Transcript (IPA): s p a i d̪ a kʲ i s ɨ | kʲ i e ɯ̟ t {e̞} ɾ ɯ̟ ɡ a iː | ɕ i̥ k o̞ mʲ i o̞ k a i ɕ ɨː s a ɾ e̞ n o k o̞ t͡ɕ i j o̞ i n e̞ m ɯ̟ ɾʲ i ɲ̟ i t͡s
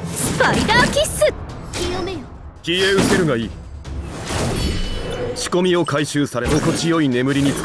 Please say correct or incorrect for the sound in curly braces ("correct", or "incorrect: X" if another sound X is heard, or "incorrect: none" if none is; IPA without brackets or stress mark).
correct